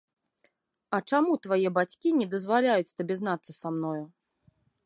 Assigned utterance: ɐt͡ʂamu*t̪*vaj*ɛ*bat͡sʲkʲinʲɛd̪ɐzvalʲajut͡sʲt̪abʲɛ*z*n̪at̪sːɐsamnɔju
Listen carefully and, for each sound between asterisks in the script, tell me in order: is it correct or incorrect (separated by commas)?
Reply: correct, correct, correct